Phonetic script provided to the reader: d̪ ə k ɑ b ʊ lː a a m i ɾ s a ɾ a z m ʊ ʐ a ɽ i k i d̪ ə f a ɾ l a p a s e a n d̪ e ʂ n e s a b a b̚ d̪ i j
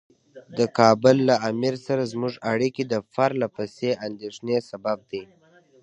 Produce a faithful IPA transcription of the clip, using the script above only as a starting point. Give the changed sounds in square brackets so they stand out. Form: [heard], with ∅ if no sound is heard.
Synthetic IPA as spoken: d̪ ə k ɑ b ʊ lː a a m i ɾ s a ɾ a z m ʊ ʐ a ɽ i k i d̪ ə f a ɾ l a p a s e a n d̪ e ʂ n e s a b a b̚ d̪ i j